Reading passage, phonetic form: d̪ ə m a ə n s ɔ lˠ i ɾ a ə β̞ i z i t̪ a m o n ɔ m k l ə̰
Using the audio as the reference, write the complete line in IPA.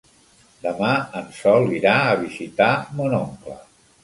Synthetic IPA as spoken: d̪ ə m a ə n s ɔ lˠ i ɾ a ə β̞ i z i t̪ a m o n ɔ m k l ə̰